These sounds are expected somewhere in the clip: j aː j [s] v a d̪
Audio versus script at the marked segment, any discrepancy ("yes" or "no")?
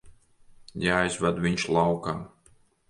yes